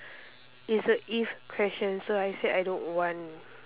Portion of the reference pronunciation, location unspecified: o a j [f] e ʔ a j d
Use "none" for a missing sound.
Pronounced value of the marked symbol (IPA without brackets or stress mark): s